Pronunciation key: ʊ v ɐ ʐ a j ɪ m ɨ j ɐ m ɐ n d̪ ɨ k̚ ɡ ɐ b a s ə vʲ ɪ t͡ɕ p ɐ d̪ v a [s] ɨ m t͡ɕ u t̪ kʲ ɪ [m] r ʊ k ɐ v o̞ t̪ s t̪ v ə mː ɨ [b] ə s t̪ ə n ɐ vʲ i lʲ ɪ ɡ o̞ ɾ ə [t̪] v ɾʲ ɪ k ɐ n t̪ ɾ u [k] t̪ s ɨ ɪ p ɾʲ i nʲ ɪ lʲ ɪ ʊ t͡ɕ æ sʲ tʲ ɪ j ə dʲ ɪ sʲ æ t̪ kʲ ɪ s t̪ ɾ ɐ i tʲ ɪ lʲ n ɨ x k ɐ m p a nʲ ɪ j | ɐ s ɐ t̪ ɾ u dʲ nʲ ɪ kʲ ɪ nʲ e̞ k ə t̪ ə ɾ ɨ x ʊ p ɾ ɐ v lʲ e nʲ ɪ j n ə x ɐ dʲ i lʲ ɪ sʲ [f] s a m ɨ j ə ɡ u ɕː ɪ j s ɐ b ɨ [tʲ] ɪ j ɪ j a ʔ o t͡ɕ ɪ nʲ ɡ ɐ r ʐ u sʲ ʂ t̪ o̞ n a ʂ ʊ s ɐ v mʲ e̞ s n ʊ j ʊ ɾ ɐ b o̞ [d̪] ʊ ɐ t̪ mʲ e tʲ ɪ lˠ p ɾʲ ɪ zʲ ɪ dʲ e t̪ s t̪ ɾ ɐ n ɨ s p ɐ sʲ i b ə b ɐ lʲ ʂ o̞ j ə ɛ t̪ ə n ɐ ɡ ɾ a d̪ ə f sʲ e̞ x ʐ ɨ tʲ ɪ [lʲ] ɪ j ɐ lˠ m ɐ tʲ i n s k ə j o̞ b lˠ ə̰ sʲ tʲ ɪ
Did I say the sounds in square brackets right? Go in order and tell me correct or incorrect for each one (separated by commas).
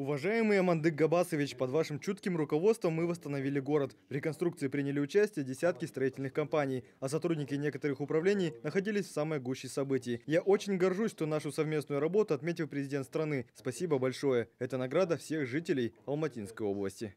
incorrect, correct, incorrect, correct, correct, correct, correct, incorrect, correct